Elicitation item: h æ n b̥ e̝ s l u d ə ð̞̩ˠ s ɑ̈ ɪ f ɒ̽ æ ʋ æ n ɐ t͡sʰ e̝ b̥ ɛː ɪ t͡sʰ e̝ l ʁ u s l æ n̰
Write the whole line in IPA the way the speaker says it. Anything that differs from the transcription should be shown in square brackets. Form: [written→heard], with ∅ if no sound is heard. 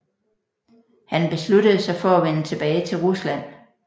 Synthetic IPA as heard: h æ n b̥ e̝ s l u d ə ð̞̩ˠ s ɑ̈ ɪ f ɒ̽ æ ʋ [æ→e] n [ɐ→ə] t͡sʰ e̝ b̥ ɛː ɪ t͡sʰ e̝ l ʁ u s l æ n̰